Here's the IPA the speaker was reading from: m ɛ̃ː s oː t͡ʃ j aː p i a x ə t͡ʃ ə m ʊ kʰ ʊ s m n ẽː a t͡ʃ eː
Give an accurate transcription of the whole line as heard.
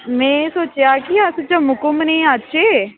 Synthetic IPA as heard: m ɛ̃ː s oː t͡ʃ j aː k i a s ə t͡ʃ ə m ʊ k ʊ m n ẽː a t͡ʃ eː